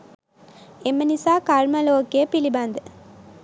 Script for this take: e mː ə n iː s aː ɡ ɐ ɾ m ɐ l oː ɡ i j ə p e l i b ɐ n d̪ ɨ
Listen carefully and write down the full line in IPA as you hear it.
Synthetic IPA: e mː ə n i s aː k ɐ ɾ m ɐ l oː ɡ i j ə p i l i b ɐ n d̪ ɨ